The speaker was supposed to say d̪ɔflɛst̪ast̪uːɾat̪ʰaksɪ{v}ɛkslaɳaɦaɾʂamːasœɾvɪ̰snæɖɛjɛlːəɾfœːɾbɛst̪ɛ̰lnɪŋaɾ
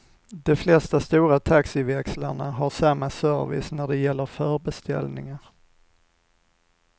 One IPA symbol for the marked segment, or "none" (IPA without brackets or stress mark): v